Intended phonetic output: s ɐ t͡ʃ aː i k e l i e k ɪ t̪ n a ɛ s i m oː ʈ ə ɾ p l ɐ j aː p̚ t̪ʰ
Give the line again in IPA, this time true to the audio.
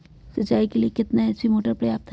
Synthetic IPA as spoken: s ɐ t͡ʃ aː i k e l i e k ɪ t̪ n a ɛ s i m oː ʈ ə ɾ p ɾ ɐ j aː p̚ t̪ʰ